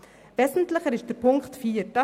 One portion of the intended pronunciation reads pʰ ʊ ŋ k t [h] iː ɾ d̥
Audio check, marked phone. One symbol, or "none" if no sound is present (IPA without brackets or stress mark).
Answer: f